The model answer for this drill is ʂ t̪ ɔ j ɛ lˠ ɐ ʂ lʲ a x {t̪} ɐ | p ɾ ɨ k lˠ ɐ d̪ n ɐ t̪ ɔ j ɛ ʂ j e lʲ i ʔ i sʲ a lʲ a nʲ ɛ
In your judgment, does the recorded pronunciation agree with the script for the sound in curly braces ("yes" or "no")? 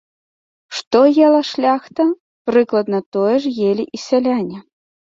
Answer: yes